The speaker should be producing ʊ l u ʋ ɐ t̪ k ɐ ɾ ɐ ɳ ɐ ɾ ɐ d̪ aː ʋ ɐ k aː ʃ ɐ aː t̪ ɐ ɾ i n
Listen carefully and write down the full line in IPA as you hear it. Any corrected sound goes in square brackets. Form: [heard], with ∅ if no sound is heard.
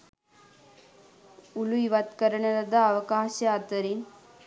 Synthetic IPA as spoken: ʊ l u ʋ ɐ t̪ k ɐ ɾ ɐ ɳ ɐ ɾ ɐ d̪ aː ʋ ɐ k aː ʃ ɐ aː t̪ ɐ ɾ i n